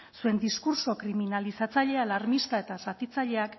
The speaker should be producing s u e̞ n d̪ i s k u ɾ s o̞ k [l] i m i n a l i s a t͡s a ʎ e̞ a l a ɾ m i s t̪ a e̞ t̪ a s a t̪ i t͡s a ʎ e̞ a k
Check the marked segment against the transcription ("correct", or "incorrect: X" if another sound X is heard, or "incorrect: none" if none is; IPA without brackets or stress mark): incorrect: ɾ